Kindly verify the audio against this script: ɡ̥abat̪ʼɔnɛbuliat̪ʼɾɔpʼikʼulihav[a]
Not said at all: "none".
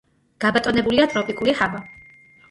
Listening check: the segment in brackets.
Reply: a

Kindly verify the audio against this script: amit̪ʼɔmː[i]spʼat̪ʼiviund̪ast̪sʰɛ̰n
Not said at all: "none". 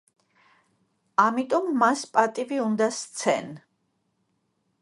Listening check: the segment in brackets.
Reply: a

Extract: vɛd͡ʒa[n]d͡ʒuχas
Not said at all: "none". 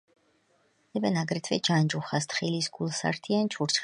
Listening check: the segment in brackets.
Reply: n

